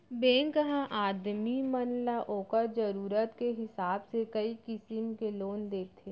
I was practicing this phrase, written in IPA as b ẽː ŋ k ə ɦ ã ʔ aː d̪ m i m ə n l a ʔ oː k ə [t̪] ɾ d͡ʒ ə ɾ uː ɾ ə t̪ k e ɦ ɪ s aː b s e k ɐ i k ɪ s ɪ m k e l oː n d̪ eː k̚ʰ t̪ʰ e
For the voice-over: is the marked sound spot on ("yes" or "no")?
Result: no